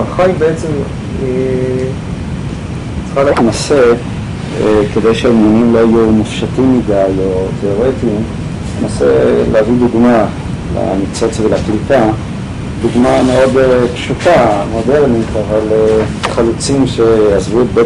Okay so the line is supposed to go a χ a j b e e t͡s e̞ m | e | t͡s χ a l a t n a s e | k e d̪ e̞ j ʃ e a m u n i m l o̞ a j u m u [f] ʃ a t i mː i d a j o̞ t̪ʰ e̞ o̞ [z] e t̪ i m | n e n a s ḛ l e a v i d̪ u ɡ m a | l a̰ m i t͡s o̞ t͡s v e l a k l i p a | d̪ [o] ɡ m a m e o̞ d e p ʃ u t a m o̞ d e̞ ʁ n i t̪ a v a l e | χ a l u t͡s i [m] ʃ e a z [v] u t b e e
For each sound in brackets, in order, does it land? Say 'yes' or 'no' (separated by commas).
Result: yes, no, no, yes, yes